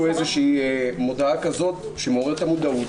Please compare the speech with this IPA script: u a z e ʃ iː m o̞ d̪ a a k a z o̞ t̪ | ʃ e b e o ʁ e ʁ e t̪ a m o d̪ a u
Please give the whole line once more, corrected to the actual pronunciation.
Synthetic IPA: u e z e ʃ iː m o̞ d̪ a a k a z o̞ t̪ | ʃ e m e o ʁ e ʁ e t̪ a m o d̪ a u